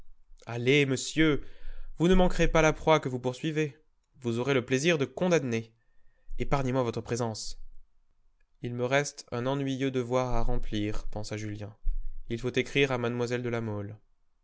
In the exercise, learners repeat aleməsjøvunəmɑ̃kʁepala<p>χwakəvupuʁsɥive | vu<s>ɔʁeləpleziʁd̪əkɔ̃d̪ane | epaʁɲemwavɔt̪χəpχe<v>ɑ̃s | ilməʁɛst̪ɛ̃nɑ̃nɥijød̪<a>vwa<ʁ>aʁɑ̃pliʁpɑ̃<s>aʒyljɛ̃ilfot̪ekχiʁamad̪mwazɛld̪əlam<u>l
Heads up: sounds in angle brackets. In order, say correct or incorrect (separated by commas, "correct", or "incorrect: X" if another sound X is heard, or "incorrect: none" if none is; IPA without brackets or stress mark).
correct, incorrect: z, incorrect: z, incorrect: ə, correct, correct, incorrect: ɔ